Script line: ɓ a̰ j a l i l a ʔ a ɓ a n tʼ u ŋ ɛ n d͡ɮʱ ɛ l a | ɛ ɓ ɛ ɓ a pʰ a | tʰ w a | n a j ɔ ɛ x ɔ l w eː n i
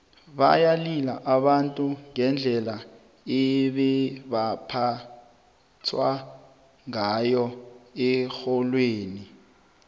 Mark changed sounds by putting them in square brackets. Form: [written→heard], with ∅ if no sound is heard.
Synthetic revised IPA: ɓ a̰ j a l i l a ʔ a ɓ a n tʼ u ŋ ɛ n d͡ɮʱ ɛ l a | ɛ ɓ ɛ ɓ a pʰ a | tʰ w a | [n→ŋ] a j ɔ ɛ x ɔ l w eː n i